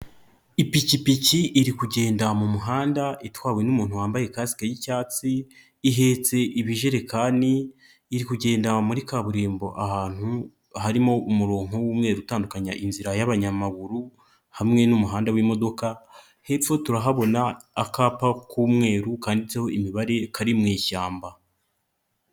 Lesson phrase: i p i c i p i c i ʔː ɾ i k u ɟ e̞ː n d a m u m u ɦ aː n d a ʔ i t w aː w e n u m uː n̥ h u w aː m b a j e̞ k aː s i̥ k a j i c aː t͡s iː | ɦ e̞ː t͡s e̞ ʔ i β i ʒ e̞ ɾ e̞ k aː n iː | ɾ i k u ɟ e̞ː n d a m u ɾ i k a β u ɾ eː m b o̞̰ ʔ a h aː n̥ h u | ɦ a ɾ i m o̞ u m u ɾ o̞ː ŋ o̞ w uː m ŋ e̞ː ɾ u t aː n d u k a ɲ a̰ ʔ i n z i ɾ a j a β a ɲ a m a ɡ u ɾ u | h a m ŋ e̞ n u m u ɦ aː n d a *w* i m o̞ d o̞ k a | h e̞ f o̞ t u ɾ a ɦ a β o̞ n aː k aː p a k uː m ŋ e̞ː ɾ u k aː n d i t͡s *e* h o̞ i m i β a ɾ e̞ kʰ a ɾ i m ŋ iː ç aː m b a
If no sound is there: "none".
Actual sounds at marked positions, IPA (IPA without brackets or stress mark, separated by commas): w, e